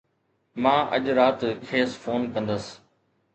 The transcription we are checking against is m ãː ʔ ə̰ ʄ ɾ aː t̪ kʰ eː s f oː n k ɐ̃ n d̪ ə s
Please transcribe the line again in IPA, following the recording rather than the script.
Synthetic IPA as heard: m ãː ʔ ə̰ ʄ ɾ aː t̪ kʰ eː s f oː n k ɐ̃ n d̪ ə s